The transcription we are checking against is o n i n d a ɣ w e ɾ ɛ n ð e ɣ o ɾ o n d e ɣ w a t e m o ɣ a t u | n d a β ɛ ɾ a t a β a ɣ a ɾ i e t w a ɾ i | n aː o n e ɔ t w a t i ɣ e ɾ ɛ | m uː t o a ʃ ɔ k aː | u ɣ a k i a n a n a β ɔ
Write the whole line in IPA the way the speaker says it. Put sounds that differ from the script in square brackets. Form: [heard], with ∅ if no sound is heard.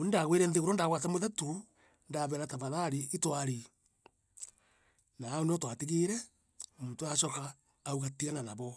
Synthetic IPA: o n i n d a ɣ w e ɾ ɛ n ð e ɣ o ɾ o n d [a] ɣ w a t [a] m o [ð] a t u | n d a β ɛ ɾ a t a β a [ð] a ɾ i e t w a ɾ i | n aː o n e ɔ t w a t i ɣ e ɾ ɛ | m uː t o a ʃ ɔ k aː | u ɣ a [t] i a n a n a β ɔ